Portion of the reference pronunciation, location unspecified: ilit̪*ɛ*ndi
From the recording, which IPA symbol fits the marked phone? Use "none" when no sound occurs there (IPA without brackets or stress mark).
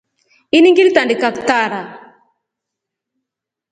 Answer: a